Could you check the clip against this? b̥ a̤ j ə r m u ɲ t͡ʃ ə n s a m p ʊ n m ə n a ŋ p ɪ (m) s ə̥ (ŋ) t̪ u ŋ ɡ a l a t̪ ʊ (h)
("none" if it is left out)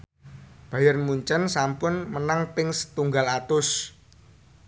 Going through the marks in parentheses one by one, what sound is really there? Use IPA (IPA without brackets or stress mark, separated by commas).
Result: ŋ, none, s